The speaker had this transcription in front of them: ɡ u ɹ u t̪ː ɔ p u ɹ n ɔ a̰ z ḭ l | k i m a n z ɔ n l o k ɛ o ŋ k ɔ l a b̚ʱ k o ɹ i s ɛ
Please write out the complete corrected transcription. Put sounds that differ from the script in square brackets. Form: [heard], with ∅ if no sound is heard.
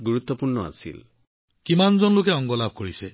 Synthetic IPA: ɡ u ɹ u t̪ː ɔ p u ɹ n ɔ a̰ [s] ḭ l | k i m a n z ɔ n l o k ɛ [ɔ] ŋ [ɡ] ɔ l a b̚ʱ k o ɹ i s ɛ